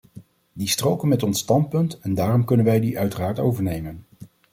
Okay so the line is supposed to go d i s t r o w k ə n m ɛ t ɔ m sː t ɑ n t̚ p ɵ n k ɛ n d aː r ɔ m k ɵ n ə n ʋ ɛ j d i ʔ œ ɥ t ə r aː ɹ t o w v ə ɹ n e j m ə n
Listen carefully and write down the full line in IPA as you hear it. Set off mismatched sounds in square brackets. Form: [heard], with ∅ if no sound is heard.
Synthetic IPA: d i s t r o w k ə n m ɛ t ɔ [n] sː t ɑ n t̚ p ɵ n [t] ɛ n d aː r ɔ m k ɵ n ə n ʋ ɛ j d i ʔ œ ɥ t ə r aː ɹ t o w v ə ɹ n e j m ə n